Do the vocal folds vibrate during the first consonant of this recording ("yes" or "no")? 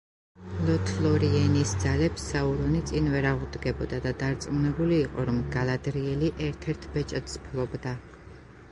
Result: yes